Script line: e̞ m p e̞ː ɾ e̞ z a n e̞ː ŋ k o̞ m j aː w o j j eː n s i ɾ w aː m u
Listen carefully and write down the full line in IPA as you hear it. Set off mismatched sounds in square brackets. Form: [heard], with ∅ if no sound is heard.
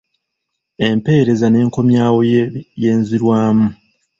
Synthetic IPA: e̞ m p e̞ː ɾ e̞ z a n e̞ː ŋ k o̞ m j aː w o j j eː n [z] i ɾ w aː m u